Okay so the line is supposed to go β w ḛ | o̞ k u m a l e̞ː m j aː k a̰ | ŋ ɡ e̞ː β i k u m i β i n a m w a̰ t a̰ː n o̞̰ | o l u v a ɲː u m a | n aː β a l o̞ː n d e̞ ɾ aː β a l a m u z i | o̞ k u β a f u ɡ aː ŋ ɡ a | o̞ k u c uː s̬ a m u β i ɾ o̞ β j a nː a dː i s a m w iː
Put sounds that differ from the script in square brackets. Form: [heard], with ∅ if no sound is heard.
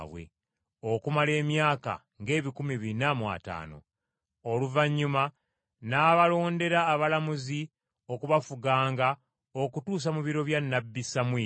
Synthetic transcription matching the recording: β w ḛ | o̞ k u m a l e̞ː m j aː k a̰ | ŋ ɡ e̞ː β i k u m i β i n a m w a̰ t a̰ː n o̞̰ | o l u v a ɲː u m a | n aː β a l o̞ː n d e̞ ɾ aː β a l a m u z i | o̞ k u β a f u ɡ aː ŋ ɡ a | o̞ k u [t] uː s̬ a m u β i ɾ o̞ β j a nː a [bː] i s a m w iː

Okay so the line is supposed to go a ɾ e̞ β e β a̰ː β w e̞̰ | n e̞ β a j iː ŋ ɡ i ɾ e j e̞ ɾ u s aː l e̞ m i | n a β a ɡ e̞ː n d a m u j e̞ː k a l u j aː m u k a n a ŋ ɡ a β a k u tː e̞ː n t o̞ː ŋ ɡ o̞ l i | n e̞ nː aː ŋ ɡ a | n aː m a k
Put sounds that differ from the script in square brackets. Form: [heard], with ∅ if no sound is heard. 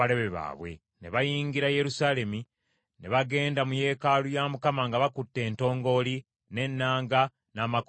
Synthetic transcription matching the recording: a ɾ e̞ β e β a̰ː β w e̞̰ | n e̞ β a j iː ŋ ɡ i ɾ [a] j e̞ ɾ u s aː l e̞ m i | n [e] β a ɡ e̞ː n d a m u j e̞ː k a l u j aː m u k a [m] a ŋ ɡ a β a k u tː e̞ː n t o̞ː ŋ ɡ o̞ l i | n e̞ nː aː ŋ ɡ a | n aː m a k

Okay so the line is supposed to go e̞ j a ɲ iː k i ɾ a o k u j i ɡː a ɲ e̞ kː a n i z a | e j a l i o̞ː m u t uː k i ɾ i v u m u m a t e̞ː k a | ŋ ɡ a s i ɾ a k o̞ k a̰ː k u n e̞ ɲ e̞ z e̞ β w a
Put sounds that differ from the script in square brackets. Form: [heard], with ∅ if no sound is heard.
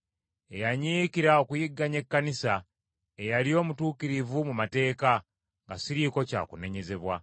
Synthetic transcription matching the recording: e̞ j a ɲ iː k i ɾ a o k u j i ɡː a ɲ e̞ kː a n i [s] a | e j a l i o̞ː m u t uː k i ɾ i v u m u m a t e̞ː k a | ŋ ɡ a s i ɾ [i] k o̞ [c] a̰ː k u n e̞ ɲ e̞ z e̞ β w a

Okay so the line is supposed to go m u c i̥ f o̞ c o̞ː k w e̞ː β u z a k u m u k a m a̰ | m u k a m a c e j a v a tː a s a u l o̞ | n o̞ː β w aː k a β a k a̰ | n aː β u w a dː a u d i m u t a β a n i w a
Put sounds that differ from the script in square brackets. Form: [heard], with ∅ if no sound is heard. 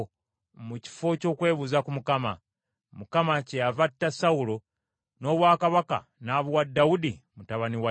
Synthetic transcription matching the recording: m u c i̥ f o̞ c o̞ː k w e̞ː β u z a k u m u k a m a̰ | m u k a m a c e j a v a tː a s a u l o̞ | n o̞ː β w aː k a β a k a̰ | n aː β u w a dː a u d i m u t a β a n i w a

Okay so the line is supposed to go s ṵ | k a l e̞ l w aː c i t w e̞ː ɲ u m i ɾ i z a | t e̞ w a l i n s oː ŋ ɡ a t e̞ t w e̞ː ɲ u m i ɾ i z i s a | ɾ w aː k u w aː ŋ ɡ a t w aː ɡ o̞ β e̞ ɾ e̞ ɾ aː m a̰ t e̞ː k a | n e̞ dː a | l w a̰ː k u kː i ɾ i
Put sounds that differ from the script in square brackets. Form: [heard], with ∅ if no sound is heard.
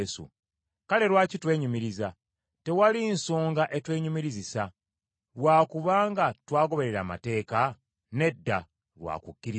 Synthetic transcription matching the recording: s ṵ | k a l e̞ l w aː c i t w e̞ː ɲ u m i ɾ i z a | t e̞ w a l i n s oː ŋ ɡ a [ʔ] e̞ t w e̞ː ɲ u m i ɾ i z i s a | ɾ w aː k u [β] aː ŋ ɡ a t w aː ɡ o̞ β e̞ ɾ e̞ ɾ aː m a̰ t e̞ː k a | n e̞ dː a | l w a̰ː k u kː i ɾ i

